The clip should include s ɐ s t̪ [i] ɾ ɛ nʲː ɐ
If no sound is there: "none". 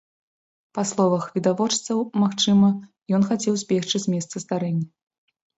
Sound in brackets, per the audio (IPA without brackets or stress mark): a